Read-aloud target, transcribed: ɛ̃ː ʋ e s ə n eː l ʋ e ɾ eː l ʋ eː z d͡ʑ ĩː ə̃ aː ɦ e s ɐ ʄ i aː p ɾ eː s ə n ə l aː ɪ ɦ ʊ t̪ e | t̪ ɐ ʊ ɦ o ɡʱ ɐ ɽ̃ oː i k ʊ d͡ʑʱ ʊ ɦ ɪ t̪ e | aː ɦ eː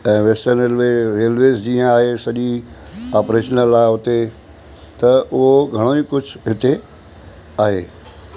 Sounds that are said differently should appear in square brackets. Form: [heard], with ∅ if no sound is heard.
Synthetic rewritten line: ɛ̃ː ʋ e s ə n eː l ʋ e ɾ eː l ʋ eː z d͡ʑ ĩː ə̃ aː ɦ e s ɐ ʄ i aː p ɾ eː [ʃ] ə n ə l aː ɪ ɦ ʊ t̪ e | t̪ ɐ ʊ ɦ o ɡʱ ɐ ɽ̃ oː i k ʊ d͡ʑʱ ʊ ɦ ɪ t̪ e | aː ɦ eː

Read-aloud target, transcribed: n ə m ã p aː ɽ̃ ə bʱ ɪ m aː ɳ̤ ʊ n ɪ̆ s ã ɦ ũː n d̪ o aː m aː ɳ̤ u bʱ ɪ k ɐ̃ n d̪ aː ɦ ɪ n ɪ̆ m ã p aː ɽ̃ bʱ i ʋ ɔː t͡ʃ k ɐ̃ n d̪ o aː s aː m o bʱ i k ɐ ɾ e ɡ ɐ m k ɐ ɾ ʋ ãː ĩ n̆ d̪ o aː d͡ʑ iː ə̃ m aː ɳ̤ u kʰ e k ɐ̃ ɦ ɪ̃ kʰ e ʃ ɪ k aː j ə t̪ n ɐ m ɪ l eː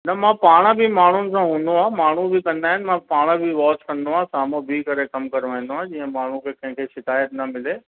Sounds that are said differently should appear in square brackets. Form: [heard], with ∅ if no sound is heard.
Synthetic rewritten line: n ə m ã p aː ɽ̃ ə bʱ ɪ m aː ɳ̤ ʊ n ɪ̆ s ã ɦ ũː n d̪ o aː m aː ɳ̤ u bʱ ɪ k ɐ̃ n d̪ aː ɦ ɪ n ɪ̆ m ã p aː ɽ̃ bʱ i ʋ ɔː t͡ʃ k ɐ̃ n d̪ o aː s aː m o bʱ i k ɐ ɾ e [k] ɐ m k ɐ ɾ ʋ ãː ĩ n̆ d̪ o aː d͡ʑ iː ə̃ m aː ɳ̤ u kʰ e k ɐ̃ ɦ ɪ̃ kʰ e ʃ ɪ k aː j ə t̪ n ɐ m ɪ l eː

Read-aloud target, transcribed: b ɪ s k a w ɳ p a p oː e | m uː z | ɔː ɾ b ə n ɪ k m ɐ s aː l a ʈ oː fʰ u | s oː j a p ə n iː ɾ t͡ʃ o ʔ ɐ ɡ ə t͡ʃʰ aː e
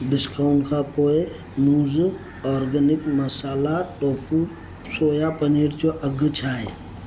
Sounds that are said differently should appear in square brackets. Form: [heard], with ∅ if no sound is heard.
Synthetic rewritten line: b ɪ s k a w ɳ [k] a p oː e | m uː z | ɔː ɾ [ɡ] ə n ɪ k m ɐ s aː l a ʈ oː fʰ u | s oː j a p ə n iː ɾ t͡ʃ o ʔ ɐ ɡ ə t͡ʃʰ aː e

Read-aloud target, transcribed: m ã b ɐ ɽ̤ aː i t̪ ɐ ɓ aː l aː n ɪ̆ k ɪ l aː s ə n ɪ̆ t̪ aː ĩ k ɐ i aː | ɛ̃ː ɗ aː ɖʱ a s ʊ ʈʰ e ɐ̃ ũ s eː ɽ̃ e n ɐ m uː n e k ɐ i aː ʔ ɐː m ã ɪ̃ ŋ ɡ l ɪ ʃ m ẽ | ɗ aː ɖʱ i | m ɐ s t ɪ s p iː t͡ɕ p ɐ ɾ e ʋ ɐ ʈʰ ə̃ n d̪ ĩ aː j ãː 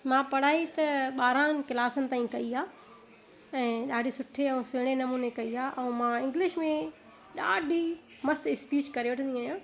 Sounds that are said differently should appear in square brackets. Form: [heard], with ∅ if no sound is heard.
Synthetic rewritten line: m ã [p] ɐ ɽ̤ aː i t̪ ɐ ɓ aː [ɾ] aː n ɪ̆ k ɪ l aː s ə n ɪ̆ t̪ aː ĩ k ɐ i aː | ɛ̃ː ɗ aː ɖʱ [i] s ʊ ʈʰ e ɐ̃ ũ s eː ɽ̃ e n ɐ m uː n e k ɐ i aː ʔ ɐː m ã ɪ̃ ŋ ɡ l ɪ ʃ m ẽ | ɗ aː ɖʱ i | m ɐ s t ɪ s p iː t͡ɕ [k] ɐ ɾ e ʋ ɐ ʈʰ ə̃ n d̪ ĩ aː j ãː

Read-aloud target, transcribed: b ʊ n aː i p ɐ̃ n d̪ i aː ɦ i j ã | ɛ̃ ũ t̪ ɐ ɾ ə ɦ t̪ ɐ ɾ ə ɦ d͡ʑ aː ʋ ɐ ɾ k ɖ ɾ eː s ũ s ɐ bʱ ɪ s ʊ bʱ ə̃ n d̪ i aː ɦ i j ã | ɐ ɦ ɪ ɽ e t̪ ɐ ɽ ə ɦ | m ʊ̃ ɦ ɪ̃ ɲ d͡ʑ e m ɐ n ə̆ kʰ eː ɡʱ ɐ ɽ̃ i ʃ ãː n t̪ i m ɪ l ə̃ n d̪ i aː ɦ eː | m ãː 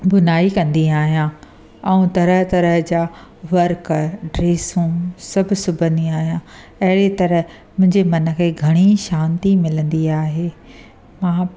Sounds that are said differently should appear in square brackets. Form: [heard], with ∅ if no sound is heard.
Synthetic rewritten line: b ʊ n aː i [k] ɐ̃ n d̪ i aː ɦ i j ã | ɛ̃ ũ t̪ ɐ ɾ ə ɦ t̪ ɐ ɾ ə ɦ d͡ʑ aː ʋ ɐ ɾ k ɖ ɾ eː s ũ s ɐ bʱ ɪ s ʊ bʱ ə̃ n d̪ i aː ɦ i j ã | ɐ ɦ ɪ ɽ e t̪ ɐ [ɾ] ə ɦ | m ʊ̃ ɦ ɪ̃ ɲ d͡ʑ e m ɐ n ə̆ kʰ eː ɡʱ ɐ ɽ̃ i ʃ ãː n t̪ i m ɪ l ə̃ n d̪ i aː ɦ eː | m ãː

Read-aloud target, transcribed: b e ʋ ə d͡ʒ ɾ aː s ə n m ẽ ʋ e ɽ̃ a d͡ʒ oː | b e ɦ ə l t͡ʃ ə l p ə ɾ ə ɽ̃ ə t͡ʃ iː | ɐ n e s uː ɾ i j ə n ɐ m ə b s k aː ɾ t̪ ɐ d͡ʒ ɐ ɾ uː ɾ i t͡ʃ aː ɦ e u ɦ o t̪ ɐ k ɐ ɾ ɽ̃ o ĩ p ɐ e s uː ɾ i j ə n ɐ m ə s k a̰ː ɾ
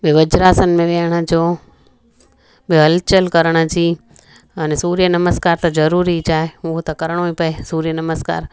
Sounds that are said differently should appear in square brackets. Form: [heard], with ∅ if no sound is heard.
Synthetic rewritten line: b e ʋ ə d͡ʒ ɾ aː s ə n m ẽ ʋ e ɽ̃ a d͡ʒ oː | b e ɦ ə l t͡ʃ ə l [k] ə ɾ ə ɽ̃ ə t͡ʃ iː | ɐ n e s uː ɾ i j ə n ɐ m ə [∅] s k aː ɾ t̪ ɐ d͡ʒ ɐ ɾ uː ɾ i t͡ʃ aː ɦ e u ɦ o t̪ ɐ k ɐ ɾ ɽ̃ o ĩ p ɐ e s uː ɾ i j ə n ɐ m ə s k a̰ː ɾ

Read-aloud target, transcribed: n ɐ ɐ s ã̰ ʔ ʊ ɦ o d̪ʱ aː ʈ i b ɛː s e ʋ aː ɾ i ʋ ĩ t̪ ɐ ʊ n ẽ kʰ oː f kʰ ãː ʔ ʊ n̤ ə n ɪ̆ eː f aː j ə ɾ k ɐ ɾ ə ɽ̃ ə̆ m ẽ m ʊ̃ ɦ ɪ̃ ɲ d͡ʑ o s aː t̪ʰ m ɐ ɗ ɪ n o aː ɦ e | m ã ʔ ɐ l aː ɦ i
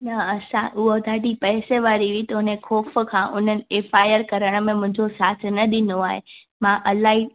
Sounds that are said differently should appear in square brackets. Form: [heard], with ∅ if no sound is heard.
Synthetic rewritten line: n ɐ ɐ s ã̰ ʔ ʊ ɦ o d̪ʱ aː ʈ i [p] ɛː s e ʋ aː ɾ i ʋ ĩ t̪ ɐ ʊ n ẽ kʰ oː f kʰ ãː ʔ ʊ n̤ ə n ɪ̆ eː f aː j ə ɾ k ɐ ɾ ə ɽ̃ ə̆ m ẽ m ʊ̃ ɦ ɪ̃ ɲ d͡ʑ o s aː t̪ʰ [n] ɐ ɗ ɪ n o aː ɦ e | m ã ʔ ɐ l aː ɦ i

